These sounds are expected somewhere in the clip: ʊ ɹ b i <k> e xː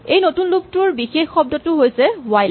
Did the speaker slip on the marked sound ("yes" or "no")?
yes